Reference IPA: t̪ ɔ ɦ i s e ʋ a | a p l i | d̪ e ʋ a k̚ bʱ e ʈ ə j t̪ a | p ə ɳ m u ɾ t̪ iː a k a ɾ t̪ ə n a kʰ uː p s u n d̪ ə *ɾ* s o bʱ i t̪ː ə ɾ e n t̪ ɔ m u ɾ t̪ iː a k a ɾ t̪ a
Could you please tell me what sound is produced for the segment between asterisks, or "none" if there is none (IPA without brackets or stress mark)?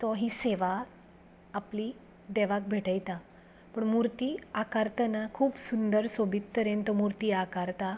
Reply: ɾ